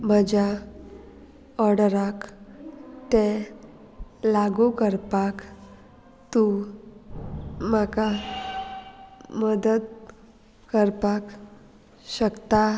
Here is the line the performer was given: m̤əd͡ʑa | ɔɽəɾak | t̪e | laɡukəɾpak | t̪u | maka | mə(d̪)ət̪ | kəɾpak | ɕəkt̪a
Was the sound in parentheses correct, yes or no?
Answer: yes